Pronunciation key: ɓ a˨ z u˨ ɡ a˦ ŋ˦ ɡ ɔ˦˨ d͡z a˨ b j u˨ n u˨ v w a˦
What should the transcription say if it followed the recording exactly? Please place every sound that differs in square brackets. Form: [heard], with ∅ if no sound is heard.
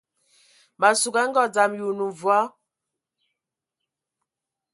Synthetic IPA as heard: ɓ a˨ [s] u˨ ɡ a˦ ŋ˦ ɡ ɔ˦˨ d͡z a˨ [m] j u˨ n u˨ v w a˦

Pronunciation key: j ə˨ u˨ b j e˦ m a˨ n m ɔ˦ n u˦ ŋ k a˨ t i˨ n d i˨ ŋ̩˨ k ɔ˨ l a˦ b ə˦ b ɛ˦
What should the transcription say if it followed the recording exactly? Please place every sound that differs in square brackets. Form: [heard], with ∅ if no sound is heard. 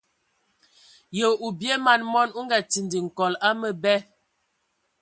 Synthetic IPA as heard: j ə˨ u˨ b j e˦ m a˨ n m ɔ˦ n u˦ ŋ [ɡ] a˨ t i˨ n d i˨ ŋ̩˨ k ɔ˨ l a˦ [m] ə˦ b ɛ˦

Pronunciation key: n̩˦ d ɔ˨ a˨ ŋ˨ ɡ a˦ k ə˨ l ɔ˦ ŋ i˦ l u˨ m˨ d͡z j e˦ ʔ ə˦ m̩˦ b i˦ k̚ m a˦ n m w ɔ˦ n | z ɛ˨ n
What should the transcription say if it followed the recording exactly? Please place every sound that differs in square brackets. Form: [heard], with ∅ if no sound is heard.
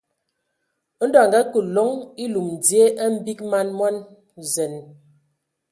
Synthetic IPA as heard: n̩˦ d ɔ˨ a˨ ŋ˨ ɡ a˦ k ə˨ l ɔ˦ ŋ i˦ l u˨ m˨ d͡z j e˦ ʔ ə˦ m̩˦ b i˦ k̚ m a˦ n m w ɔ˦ n | z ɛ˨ n

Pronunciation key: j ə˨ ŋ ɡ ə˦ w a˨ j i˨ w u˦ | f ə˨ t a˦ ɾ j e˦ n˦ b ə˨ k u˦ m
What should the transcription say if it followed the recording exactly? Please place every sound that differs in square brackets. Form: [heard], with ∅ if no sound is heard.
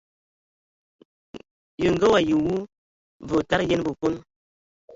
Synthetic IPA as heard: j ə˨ ŋ ɡ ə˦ w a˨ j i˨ w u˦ | [v] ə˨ t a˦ ɾ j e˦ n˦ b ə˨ k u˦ [n]

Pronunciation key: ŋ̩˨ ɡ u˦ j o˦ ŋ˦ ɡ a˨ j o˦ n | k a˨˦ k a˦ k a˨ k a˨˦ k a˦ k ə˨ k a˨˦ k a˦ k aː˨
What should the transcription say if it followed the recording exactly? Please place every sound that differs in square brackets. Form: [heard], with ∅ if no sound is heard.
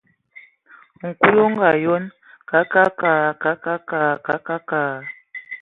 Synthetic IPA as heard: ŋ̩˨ [k] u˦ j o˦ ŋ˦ ɡ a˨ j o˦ n | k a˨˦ k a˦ k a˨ k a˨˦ k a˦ k [a˨] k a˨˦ k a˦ k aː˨

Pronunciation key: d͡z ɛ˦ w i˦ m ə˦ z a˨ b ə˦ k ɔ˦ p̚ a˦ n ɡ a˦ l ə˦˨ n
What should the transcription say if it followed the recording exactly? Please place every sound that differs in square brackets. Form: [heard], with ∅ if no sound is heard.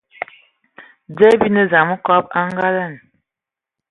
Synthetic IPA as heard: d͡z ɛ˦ [b] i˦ [n] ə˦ z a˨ [m] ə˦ k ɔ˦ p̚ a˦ [ŋ] ɡ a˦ l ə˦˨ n

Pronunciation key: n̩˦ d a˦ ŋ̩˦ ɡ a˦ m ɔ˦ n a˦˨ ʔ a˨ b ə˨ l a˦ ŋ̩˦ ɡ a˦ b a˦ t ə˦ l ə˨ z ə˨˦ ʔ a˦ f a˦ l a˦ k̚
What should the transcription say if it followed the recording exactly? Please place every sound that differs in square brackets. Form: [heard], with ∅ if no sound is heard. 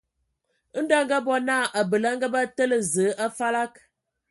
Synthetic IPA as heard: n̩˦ d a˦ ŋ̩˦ ɡ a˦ [b] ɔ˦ n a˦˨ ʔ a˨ b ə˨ l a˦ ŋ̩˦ ɡ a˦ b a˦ t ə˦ l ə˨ z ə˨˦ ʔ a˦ f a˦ l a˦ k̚

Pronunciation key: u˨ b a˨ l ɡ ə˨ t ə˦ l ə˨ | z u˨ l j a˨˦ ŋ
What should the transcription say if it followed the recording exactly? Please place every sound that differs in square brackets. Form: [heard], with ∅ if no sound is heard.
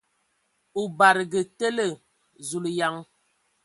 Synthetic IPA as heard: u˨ b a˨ [ɾ] ɡ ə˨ t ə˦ l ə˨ | z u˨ l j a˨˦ ŋ

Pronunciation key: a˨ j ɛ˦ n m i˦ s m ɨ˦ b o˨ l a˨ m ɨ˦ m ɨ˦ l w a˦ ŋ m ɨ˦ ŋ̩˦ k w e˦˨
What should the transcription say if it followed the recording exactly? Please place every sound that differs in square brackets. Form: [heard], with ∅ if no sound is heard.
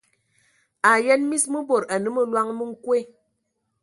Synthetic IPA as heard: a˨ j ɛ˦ n m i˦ s m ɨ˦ b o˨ [ɾ] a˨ [n] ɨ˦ m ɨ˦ l w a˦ ŋ m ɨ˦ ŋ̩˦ k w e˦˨

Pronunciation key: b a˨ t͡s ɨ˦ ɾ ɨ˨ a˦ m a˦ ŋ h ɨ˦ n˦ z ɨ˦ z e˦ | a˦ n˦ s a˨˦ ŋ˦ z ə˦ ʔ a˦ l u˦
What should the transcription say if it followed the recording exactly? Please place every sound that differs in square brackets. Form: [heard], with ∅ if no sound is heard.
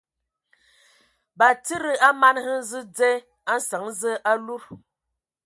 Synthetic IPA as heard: b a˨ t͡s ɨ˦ ɾ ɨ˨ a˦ m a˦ [n] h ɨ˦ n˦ z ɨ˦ [d͡z] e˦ | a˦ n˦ s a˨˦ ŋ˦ z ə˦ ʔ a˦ l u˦

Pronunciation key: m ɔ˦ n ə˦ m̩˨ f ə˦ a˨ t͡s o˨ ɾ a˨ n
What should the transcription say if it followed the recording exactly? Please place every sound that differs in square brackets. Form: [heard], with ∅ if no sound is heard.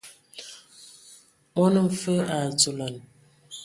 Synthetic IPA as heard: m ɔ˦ n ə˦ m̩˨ f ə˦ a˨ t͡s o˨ [l] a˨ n

